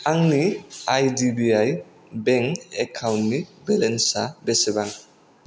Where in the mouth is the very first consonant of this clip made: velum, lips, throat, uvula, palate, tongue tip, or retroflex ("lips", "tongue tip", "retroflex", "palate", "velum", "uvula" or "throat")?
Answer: velum